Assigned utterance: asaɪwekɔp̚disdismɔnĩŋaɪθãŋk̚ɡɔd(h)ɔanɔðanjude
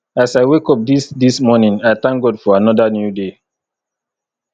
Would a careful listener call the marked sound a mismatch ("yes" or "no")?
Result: yes